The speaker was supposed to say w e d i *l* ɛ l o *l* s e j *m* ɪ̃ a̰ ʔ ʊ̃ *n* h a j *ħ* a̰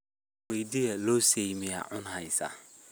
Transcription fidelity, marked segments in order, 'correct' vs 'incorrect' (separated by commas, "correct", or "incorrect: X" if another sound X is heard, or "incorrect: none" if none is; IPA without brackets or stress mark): incorrect: none, incorrect: none, correct, correct, incorrect: s